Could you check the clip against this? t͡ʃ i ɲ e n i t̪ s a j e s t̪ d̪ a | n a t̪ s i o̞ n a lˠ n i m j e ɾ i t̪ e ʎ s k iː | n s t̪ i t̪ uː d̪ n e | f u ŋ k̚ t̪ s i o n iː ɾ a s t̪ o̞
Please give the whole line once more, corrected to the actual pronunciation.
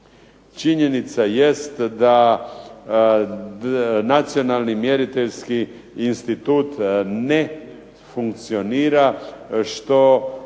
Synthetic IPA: t͡ʃ i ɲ e n i t̪ s a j e s t̪ d̪ a | n a t̪ s i o̞ n a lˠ n i m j e ɾ i t̪ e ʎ s k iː | n s t̪ i t̪ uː t̪ n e | f u ŋ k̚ t̪ s i o n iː ɾ a ʃ t̪ o̞

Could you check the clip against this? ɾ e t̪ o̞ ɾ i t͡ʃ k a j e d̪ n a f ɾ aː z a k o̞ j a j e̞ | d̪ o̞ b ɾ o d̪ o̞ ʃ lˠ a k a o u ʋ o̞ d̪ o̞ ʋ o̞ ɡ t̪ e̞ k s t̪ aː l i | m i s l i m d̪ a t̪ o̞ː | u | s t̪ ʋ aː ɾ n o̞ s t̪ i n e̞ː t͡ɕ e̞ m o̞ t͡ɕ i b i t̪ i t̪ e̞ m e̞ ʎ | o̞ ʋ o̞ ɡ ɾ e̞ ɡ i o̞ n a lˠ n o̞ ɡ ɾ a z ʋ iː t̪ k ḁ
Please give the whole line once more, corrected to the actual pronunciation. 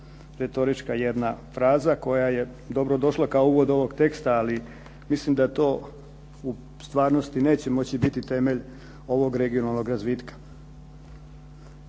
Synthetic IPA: ɾ e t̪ o̞ ɾ i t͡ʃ k a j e d̪ n a f ɾ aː z a k o̞ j a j e̞ | d̪ o̞ b ɾ o d̪ o̞ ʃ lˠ a k a o u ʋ o̞ d̪ o̞ ʋ o̞ ɡ t̪ e̞ k s t̪ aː l i | m i s l i m d̪ a t̪ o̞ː | u | s t̪ ʋ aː ɾ n o̞ s t̪ i n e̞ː t͡ɕ e̞ m o̞ t͡ɕ i b i t̪ i t̪ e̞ m e̞ ʎ | o̞ ʋ o̞ ɡ ɾ e̞ ɡ i o̞ n a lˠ n o̞ ɡ ɾ a z ʋ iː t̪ k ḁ

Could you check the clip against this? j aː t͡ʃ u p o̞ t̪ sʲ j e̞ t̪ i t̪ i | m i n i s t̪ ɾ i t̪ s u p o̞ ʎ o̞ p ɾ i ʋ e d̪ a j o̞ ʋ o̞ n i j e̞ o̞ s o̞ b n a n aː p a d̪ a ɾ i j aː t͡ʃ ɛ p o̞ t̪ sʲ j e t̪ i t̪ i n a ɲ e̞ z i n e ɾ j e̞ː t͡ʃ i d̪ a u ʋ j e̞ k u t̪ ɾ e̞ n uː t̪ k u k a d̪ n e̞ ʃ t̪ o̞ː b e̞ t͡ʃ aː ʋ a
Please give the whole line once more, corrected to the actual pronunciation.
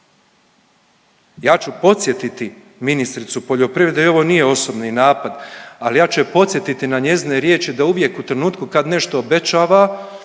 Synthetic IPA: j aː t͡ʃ u p o̞ t̪ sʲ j e̞ t̪ i t̪ i | m i n i s t̪ ɾ i t̪ s u p o̞ ʎ o̞ p ɾ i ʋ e d̪ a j o̞ ʋ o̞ n i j e̞ o̞ s o̞ b n i n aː p a d̪ a l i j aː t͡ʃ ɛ p o̞ t̪ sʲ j e t̪ i t̪ i n a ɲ e̞ z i n e ɾ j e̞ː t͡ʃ i d̪ a u ʋ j e̞ k u t̪ ɾ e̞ n uː t̪ k u k a d̪ n e̞ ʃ t̪ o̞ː b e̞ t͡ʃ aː ʋ a

